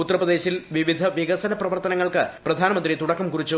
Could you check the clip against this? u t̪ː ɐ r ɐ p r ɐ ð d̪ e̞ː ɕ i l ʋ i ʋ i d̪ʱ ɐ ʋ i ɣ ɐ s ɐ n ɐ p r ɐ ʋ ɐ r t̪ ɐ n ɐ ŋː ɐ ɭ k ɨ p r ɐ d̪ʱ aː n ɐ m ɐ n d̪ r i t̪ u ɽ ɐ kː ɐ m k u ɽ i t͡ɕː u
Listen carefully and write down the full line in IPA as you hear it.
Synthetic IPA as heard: u t̪ː ɐ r ɐ p r ɐ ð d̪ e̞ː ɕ i l ʋ i ʋ i d̪ʱ ɐ ʋ i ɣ ɐ s ɐ n ɐ p r ɐ ʋ ɐ r t̪ ɐ n ɐ ŋː ɐ ɭ k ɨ p r ɐ d̪ʱ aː n ɐ m ɐ n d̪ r i t̪ u ɽ ɐ kː ɐ m k u r i t͡ɕː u

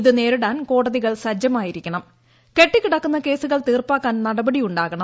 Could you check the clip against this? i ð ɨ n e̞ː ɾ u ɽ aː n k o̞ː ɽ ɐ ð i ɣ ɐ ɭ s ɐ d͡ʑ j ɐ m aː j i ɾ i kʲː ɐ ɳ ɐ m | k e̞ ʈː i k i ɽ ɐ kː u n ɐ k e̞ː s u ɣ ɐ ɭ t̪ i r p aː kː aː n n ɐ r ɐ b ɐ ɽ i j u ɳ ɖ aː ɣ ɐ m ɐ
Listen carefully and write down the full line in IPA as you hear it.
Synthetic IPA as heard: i ð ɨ n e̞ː ɾ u ɽ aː n k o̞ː ɽ ɐ ð i ɣ ɐ ɭ s ɐ d͡ʑ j ɐ m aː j i ɾ i kʲː ɐ ɳ ɐ m | k e̞ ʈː i k i ɽ ɐ kː u nː ɐ k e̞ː s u ɣ ɐ ɭ t̪ iː r p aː kː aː n n ɐ ɽ ɐ b ɐ ɽ i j u ɳ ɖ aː ɣ ɐ ɳ ɐ

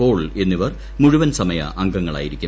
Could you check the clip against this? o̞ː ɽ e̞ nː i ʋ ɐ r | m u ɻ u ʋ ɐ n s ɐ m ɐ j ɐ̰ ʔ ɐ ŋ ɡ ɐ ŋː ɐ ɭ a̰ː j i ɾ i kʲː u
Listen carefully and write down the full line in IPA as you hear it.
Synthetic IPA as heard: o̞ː ɭ e̞ nː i ʋ ɐ r | m u ɻ u ʋ ɐ n s ɐ m ɐ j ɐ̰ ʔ ɐ ŋ ɡ ɐ ŋː ɐ ɭ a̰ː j i ɾ i kʲː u

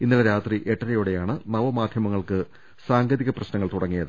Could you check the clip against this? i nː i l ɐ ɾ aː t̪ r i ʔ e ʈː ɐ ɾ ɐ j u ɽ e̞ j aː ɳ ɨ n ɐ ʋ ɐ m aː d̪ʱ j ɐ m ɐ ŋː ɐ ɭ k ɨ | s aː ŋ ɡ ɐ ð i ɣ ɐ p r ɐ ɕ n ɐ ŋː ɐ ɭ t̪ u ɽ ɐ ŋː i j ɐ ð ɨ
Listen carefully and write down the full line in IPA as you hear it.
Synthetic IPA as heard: i nː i l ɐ ɾ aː t̪ r i ʔ e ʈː ɐ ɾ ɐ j u ɽ e̞ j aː ɳ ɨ n ɐ ʋ ɐ m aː d̪ʱ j ɐ m ɐ ŋː ɐ ɭ k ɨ | s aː ŋ ɡ ɐ ð i ɣ ɐ p r ɐ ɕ n ɐ ŋː ɐ ɭ t̪ u ɽ ɐ ŋː i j ɐ ð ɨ

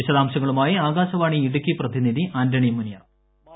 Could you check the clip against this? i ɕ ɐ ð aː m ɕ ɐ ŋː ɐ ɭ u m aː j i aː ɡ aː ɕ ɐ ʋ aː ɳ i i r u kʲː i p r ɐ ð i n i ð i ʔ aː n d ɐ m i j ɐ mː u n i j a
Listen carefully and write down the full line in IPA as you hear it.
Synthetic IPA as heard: i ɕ ɐ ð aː m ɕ ɐ ŋː ɐ ɭ u m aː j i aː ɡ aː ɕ ɐ ʋ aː ɳ i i ɽ u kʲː i p r ɐ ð i n i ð i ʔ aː n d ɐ ɳ i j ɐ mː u n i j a

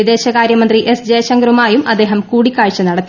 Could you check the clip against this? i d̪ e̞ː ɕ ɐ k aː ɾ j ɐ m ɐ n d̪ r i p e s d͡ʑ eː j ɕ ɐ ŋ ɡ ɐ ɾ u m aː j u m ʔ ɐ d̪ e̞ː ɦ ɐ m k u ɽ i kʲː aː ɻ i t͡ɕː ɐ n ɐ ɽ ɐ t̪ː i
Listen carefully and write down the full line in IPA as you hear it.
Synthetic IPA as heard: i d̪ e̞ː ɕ ɐ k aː ɾ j ɐ m ɐ n d̪ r i ʔ e s d͡ʑ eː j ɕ ɐ ŋ ɡ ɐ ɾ u m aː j u m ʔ ɐ d̪ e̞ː ɦ ɐ m k uː ɽ i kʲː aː ɻ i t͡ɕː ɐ n ɐ ɽ ɐ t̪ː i

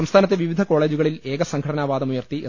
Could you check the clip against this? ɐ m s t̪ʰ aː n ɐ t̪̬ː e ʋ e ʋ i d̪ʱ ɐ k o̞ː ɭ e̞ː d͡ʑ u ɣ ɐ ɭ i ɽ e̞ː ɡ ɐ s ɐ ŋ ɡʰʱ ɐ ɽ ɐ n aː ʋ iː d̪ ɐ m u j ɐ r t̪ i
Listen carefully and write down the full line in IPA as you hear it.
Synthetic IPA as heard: ɐ m s t̪ʰ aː n ɐ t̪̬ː e ʋ i ʋ i d̪ʱ ɐ k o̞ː ɭ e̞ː d͡ʑ u ɣ ɐ ɭ i l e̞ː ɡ ɐ s ɐ ŋ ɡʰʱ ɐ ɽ ɐ n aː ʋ aː d̪ ɐ m u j ɐ r t̪ i

